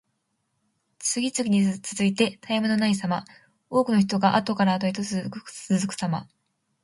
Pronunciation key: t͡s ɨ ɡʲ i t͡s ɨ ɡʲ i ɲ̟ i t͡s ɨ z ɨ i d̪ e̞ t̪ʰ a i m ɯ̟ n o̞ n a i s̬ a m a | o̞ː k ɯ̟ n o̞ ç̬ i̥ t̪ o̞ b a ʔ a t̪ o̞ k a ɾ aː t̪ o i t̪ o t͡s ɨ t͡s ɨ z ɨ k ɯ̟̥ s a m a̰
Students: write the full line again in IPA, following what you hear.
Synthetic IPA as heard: t͡s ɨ ɡʲ i t͡s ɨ ɡʲ i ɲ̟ i t͡s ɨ z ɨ i t̪ e̞ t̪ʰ a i m ɯ̟ n o̞ n a i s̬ a m a | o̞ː k ɯ̟ n o̞ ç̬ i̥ t̪ o̞ ɡ a ʔ a t̪ o̞ k a ɾ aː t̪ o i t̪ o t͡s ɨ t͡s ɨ z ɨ k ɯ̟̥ s a m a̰